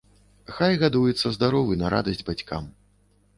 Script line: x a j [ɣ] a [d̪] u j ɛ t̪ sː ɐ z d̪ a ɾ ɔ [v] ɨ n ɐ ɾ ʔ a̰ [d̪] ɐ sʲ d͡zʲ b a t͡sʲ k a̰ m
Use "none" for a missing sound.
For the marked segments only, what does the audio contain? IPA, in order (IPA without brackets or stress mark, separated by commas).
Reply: ɣ, d̪, v, d̪